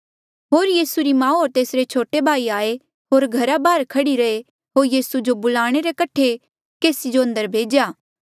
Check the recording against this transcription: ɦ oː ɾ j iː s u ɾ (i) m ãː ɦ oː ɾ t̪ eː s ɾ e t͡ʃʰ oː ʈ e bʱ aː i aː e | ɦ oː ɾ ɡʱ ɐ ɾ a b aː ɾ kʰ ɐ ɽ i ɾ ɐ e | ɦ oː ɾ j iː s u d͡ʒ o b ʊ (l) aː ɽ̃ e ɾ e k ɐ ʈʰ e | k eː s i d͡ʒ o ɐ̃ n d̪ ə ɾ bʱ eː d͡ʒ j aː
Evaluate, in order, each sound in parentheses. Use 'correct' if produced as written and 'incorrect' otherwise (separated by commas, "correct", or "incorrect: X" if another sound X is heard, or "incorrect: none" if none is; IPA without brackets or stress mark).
correct, correct